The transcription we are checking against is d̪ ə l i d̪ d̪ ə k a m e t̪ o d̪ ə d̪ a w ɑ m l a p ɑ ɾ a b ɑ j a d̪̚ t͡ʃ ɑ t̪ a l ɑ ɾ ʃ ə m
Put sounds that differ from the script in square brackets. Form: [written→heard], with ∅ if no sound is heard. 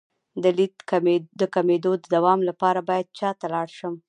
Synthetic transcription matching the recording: d̪ ə l i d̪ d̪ ə k a m e [t̪→d̪] o d̪ ə d̪ a w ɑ m l a p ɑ ɾ a b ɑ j a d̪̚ t͡ʃ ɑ t̪ a l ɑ [ɾ→ɽ] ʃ ə m